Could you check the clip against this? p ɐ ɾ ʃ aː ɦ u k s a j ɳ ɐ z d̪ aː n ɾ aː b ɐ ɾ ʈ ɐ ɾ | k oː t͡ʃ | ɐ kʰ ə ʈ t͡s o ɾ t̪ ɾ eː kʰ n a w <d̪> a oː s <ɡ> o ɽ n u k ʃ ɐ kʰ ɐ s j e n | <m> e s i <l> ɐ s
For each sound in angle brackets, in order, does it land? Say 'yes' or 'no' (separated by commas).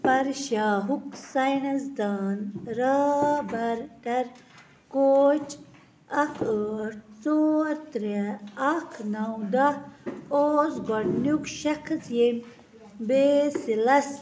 yes, yes, no, yes